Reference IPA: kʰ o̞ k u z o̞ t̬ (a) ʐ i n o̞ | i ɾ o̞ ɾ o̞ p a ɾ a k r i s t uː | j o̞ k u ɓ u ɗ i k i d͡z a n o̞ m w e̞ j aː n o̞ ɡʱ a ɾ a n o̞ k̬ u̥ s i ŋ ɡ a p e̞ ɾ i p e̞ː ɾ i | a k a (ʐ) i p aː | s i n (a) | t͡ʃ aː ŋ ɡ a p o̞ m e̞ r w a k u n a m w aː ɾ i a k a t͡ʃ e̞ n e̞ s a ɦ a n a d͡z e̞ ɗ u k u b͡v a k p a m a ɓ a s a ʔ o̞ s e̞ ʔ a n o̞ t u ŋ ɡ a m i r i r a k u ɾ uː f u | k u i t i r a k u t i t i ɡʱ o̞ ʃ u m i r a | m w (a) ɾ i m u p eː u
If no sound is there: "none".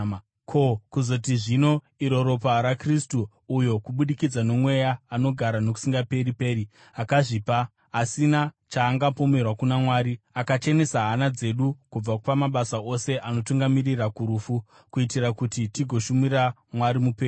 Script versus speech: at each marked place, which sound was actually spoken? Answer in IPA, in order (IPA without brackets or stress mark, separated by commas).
i, ʐ, a, a